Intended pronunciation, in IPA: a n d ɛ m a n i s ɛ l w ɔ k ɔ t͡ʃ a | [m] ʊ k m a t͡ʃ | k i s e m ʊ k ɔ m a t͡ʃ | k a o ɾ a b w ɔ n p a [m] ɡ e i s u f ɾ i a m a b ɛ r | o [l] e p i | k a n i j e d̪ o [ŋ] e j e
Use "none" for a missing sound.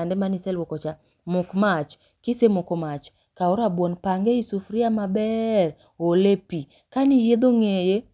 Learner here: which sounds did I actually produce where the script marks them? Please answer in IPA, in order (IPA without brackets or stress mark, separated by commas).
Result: m, ŋ, l, ŋ